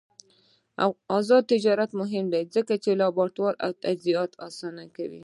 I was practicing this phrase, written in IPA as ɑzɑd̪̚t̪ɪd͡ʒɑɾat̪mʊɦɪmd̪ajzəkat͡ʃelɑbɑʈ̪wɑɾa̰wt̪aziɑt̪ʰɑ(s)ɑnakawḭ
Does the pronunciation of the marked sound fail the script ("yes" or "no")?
no